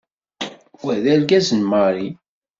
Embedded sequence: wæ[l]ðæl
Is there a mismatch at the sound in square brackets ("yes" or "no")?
yes